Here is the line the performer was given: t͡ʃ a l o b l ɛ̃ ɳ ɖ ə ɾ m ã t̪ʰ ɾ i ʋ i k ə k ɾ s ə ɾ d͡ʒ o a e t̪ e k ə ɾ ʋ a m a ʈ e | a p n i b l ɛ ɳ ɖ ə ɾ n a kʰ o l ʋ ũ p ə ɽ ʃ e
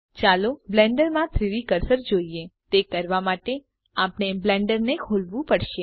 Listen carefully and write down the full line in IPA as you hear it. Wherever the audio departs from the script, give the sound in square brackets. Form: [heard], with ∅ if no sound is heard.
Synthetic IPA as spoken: t͡ʃ a l o b l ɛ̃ ɳ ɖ ə ɾ m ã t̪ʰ ɾ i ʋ i k ə [∅] ɾ s ə ɾ d͡ʒ o [i] e t̪ e k ə ɾ ʋ a m a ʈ e | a p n [e] b l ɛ ɳ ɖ ə ɾ n [e] kʰ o l ʋ ũ p ə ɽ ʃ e